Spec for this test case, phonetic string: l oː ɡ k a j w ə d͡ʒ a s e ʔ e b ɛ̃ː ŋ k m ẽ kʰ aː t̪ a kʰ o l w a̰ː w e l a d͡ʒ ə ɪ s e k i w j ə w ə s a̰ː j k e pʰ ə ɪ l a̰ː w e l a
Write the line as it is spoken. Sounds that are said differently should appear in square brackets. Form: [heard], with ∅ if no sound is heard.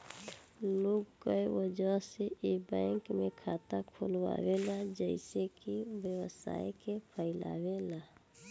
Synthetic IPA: l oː ɡ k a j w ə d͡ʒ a s e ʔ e b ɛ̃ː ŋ k m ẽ kʰ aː t̪ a kʰ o l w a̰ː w e l a d͡ʒ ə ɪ s e k i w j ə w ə s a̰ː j k e pʰ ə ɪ l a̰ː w e l a